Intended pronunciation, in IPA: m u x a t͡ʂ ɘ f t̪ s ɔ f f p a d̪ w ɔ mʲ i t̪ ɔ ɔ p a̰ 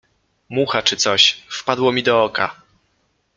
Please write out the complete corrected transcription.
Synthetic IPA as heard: m u x a t͡ʂ ɘ t̪ s ɔ ɕ f p a d̪ w ɔ mʲ i d̪ ɔ ɔ k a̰